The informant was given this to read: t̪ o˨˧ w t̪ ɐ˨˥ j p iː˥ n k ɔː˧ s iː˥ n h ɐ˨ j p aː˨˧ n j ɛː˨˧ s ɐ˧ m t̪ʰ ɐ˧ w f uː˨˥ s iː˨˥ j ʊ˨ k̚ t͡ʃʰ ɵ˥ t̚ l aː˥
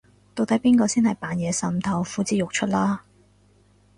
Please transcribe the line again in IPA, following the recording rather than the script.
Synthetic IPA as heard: t̪ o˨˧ w t̪ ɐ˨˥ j p iː˥ n k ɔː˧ s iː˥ n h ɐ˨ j p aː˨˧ n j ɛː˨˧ s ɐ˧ m t̪ʰ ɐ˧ w f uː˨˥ t͡s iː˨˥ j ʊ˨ k̚ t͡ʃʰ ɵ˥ t̚ l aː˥